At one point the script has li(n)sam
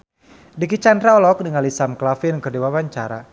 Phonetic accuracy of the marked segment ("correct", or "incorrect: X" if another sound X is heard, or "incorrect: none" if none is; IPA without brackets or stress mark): incorrect: none